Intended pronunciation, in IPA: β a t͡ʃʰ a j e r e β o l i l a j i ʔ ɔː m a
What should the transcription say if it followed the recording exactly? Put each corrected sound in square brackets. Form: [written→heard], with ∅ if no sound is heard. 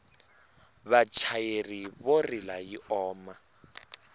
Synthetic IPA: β a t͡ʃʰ a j e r [e→i] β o [l→r] i l a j i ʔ ɔː m a